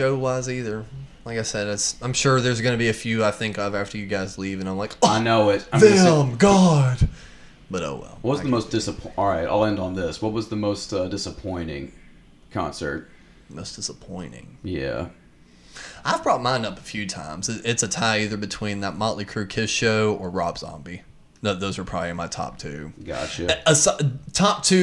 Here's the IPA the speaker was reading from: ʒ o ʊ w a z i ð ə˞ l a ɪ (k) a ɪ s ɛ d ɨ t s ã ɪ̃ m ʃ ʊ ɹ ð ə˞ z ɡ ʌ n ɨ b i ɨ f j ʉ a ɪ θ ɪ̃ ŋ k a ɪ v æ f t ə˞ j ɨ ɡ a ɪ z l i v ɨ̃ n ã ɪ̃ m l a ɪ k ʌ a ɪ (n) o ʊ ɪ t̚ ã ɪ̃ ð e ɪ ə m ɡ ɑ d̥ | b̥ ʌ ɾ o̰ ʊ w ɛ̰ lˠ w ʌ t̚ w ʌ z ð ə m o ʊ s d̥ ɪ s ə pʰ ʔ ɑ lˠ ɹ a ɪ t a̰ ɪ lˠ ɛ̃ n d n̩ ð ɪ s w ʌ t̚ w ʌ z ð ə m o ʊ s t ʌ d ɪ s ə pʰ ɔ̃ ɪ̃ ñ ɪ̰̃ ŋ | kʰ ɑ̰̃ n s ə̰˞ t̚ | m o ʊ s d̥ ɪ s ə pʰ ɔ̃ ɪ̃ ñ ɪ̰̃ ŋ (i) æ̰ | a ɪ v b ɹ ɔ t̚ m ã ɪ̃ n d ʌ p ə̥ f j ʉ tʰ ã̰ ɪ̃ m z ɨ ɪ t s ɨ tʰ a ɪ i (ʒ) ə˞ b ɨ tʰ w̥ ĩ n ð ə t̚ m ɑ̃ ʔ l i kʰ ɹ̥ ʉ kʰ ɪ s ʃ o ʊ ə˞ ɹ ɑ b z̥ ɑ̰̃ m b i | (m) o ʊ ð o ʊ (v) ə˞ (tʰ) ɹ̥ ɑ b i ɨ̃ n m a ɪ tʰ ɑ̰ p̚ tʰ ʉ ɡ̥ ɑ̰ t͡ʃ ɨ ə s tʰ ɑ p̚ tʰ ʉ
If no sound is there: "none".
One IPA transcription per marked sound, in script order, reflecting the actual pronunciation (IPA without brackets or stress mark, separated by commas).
k, n, j, ð, n, z, pʰ